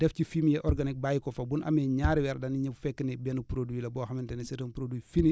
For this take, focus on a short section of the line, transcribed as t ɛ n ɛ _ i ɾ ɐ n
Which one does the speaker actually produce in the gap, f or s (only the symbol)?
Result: s